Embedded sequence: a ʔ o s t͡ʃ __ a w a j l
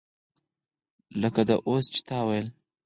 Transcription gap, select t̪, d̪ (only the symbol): t̪